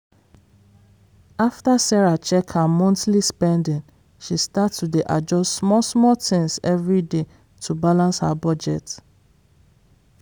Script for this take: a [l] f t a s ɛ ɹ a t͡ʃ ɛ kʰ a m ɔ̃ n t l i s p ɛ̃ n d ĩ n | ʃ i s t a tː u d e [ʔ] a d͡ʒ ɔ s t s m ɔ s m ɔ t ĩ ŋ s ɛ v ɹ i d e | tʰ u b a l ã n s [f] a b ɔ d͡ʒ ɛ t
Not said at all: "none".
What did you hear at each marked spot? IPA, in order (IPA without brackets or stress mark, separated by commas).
none, ʔ, h